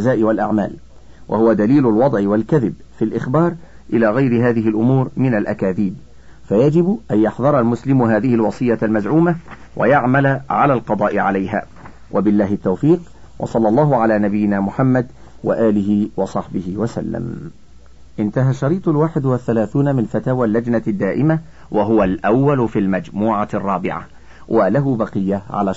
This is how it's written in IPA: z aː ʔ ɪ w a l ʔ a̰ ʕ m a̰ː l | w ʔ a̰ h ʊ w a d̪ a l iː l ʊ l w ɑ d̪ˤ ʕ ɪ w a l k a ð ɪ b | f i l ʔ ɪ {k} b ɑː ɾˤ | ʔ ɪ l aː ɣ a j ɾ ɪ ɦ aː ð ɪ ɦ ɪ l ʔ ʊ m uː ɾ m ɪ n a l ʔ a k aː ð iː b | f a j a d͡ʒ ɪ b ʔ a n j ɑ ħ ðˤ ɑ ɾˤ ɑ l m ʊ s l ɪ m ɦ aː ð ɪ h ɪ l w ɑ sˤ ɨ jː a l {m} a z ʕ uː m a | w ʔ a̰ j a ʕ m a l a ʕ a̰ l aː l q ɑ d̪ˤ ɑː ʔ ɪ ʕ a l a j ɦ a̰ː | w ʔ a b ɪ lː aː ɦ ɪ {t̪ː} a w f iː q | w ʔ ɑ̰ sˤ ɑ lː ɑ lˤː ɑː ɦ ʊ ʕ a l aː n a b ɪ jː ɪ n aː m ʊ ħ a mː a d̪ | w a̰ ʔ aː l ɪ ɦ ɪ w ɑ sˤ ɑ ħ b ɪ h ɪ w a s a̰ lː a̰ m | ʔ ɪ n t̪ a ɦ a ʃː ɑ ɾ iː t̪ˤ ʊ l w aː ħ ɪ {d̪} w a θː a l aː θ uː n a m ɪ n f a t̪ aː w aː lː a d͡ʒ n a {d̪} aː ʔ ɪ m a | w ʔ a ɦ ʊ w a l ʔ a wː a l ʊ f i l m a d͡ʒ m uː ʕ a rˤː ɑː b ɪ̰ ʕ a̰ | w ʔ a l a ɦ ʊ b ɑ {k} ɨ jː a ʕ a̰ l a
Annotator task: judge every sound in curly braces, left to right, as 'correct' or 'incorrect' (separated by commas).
incorrect, correct, correct, correct, incorrect, incorrect